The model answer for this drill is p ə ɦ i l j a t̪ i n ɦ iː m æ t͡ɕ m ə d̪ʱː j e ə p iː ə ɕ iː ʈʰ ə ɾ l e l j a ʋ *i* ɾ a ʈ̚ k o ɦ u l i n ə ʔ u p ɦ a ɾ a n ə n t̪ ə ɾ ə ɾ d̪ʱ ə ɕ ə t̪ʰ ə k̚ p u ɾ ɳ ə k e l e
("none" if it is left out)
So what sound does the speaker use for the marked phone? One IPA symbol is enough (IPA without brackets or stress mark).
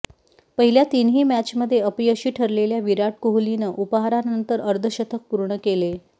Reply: i